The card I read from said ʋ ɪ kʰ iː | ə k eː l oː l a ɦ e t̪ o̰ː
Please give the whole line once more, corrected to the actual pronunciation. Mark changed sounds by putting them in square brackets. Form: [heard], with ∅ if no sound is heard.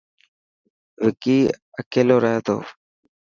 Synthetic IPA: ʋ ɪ [k] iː | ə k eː l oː [ɾ] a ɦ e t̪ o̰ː